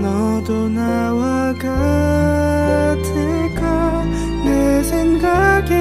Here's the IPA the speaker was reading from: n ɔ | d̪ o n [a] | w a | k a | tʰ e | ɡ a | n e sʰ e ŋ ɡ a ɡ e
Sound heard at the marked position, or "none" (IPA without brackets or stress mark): a